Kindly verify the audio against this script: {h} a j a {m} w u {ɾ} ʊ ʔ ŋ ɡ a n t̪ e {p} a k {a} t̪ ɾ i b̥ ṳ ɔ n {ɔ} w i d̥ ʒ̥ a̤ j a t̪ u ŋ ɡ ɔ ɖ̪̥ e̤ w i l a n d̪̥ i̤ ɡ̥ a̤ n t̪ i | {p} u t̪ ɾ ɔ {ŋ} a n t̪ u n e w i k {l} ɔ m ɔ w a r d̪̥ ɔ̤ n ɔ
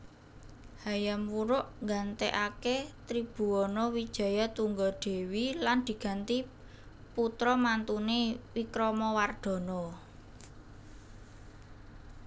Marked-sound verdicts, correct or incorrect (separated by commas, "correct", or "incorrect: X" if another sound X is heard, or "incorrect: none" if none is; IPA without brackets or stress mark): correct, correct, correct, incorrect: ʔ, incorrect: e, correct, correct, incorrect: m, incorrect: ɾ